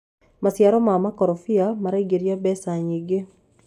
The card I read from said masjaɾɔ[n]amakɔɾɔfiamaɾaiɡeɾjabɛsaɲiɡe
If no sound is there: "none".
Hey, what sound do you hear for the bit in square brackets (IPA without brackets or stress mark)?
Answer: m